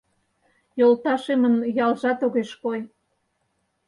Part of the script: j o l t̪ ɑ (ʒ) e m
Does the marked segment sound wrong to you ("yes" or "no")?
yes